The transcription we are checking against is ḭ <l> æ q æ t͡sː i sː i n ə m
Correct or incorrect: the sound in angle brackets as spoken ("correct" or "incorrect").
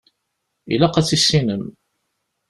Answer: correct